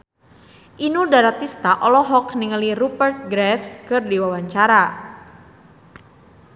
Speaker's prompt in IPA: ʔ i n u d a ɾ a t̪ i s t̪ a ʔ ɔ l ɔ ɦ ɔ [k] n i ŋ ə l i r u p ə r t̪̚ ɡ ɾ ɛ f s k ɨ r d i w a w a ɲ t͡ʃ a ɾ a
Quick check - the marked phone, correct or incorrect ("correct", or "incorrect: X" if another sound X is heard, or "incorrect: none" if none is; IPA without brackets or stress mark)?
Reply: correct